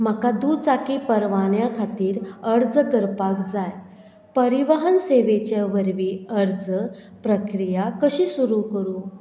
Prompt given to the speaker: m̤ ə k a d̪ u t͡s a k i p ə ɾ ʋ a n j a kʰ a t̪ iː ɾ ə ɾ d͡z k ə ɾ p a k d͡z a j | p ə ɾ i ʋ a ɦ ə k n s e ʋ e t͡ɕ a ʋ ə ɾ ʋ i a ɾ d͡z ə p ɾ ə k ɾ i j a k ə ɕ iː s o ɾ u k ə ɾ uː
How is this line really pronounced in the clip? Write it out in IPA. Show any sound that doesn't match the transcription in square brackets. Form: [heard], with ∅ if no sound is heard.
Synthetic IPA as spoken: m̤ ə k a d̪ u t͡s a k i p ə ɾ ʋ a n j a kʰ a t̪ iː ɾ ə ɾ d͡z k ə ɾ p a k d͡z a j | p ə ɾ i ʋ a ɦ ə [∅] n s e ʋ e t͡ɕ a ʋ ə ɾ ʋ i [ə] ɾ d͡z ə p ɾ ə k ɾ i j a k ə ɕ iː s [u] ɾ u k ə ɾ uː

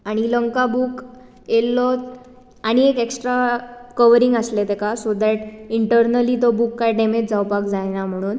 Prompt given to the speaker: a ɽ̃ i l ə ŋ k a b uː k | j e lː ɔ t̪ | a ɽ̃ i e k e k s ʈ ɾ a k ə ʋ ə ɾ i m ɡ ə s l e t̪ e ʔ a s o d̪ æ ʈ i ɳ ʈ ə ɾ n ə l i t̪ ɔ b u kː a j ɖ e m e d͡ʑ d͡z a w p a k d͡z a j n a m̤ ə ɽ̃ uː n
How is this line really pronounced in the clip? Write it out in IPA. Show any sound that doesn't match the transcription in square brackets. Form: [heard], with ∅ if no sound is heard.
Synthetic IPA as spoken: a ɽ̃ i l ə ŋ k a b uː k | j e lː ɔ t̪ | a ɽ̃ i e k e k s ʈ ɾ a k ə ʋ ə ɾ i [ŋ] ɡ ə s l e t̪ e [k] a s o d̪ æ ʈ i ɳ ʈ ə ɾ n ə l i t̪ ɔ b u kː a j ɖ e m e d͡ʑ d͡z a w p a k d͡z a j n a m̤ ə ɽ̃ uː n

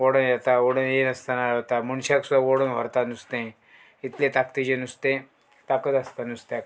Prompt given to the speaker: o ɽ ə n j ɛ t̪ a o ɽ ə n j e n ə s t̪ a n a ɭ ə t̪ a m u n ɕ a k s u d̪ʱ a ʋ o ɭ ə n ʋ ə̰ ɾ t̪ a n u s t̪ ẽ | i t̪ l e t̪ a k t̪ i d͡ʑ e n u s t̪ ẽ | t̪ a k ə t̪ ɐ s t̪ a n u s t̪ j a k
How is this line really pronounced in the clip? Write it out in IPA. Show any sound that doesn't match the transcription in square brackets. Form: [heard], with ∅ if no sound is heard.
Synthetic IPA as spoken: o ɽ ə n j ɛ t̪ a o ɽ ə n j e n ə s t̪ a n a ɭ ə t̪ a m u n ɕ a k s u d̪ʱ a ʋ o [ɽ] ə n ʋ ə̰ ɾ t̪ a n u s t̪ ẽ | i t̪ l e t̪ a k t̪ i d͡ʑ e n u s t̪ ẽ | t̪ a k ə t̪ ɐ s t̪ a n u s t̪ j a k

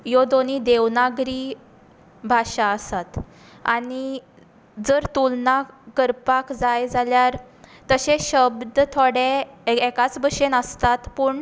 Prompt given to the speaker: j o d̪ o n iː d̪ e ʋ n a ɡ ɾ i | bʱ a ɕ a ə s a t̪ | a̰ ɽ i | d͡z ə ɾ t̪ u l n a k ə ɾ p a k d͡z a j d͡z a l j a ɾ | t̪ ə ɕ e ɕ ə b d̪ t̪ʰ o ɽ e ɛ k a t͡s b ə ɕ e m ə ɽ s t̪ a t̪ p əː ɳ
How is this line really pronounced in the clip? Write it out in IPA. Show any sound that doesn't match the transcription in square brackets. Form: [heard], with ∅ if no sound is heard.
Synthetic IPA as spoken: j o d̪ o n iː d̪ e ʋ n a ɡ ɾ i | bʱ a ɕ a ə s a t̪ | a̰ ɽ i | d͡z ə ɾ t̪ u l n a k ə ɾ p a k d͡z a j d͡z a l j a ɾ | t̪ ə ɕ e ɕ ə b d̪ t̪ʰ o ɽ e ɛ k a t͡s b ə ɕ e [n] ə [∅] s t̪ a t̪ p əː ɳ

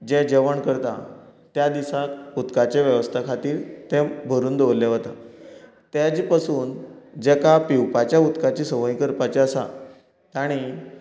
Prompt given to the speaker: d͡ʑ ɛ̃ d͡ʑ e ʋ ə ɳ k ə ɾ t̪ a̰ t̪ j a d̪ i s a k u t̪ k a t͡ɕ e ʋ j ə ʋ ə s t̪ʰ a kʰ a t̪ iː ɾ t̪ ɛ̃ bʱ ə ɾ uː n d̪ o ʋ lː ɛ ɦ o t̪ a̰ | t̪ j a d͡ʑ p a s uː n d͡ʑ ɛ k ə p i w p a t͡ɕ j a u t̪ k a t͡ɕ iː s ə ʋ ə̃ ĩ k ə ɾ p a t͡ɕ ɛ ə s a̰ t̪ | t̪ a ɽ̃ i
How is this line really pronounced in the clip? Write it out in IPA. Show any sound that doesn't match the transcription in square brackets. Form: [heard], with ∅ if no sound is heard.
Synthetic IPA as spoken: d͡ʑ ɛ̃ d͡ʑ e ʋ ə ɳ k ə ɾ t̪ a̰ t̪ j a d̪ i s a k u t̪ k a t͡ɕ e ʋ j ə ʋ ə s t̪ʰ a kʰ a t̪ iː ɾ t̪ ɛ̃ bʱ ə ɾ uː n d̪ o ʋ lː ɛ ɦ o t̪ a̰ | t̪ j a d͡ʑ p a s uː n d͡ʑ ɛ k [a] p i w p a t͡ɕ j a u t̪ k a t͡ɕ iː s ə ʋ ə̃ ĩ k ə ɾ p a t͡ɕ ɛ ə s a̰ [∅] | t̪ a ɽ̃ i

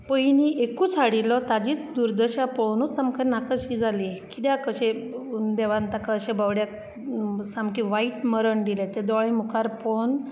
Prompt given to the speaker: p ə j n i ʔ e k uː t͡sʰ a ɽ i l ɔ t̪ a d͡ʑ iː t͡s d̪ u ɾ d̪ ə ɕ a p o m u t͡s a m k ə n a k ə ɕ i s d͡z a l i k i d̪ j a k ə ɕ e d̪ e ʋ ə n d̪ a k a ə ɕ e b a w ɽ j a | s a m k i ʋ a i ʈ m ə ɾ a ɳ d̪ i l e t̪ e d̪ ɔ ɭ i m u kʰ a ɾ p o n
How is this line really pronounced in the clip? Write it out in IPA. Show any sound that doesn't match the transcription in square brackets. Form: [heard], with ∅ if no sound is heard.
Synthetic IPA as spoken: p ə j n i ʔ e k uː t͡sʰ a ɽ i l ɔ t̪ a d͡ʑ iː t͡s d̪ u ɾ d̪ ə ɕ a p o [n] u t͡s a m k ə n a k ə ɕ i [∅] d͡z a l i k i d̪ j a k ə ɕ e d̪ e ʋ [a] n [t̪] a k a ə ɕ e b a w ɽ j a | s a m k i ʋ a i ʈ m ə ɾ [ə] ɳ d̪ i l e t̪ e d̪ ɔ ɭ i m u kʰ a ɾ p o n

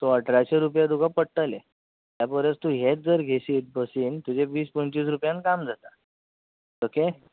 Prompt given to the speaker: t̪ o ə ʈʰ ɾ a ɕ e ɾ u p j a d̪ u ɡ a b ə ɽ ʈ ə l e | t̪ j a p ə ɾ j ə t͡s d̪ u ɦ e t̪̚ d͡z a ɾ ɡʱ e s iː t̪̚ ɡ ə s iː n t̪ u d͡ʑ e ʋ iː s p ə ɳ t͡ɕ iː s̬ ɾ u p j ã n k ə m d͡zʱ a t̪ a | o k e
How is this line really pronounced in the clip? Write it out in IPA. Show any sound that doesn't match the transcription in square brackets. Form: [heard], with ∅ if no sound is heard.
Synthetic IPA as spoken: t̪ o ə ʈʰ ɾ a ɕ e ɾ u p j a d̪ u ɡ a [p] ə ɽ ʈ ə l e | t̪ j a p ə ɾ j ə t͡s [t̪] u ɦ e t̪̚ d͡z [ə] ɾ ɡʱ e s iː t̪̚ [b] ə s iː n t̪ u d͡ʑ e ʋ iː s p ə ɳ t͡ɕ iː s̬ ɾ u p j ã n k [a] m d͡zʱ a t̪ a | o k e

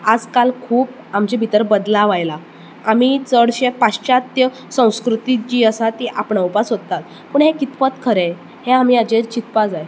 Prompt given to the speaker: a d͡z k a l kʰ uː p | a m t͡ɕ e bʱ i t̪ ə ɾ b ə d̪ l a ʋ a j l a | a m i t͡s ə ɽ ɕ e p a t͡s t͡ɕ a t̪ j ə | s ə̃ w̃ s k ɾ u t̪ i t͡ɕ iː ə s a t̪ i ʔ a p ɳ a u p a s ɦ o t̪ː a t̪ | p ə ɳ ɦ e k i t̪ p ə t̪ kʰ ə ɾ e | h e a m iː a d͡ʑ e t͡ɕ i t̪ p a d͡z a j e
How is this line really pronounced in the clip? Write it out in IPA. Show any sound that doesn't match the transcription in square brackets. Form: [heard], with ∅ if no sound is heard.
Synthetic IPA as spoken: a d͡z k a l kʰ uː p | a m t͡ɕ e bʱ i t̪ ə ɾ b ə d̪ l a ʋ a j l a | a m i t͡s ə ɽ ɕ e p a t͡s t͡ɕ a t̪ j ə | s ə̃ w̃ s k ɾ u t̪ i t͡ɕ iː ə s a t̪ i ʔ a p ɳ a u p a s ɦ o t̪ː a t̪ | p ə ɳ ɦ e k i t̪ p ə t̪ kʰ ə ɾ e | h e a m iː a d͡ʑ e t͡ɕ i t̪ p a d͡z a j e

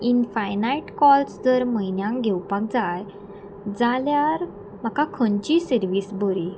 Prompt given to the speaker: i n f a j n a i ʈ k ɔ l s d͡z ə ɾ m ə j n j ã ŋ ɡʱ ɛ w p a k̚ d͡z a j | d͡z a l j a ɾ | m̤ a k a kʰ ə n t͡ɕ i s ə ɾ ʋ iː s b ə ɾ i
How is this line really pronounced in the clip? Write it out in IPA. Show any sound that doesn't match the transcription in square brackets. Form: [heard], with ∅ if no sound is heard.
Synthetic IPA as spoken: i n f a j n a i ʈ k ɔ l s d͡z ə ɾ m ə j n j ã ŋ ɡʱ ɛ w p a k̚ d͡z a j | d͡z a l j a ɾ | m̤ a k a kʰ ə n t͡ɕ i s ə ɾ ʋ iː s b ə ɾ i

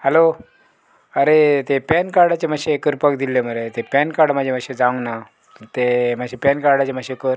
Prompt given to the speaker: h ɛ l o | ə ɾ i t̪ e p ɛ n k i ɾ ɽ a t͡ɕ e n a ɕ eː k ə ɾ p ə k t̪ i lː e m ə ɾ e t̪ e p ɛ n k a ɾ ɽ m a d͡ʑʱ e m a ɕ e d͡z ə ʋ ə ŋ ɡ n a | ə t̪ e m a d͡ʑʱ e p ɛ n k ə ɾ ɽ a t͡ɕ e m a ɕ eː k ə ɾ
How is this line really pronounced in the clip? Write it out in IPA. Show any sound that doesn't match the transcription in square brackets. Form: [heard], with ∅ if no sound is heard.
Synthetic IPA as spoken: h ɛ l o | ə ɾ [e] t̪ e p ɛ n k [a] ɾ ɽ a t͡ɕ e [m] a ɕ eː k ə ɾ p ə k [d̪] i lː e m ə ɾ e t̪ e p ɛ n k a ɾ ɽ m a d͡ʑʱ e m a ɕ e d͡z [a] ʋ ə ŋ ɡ n a | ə t̪ e m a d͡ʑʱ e p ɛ n k [a] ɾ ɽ a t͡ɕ e m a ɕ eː k ə ɾ

